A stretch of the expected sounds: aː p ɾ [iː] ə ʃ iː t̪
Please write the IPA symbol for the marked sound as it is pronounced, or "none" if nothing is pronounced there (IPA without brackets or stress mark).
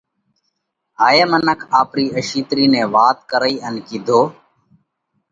iː